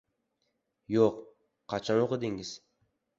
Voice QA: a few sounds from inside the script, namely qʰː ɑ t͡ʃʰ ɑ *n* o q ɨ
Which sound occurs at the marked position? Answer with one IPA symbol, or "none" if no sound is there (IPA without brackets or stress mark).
n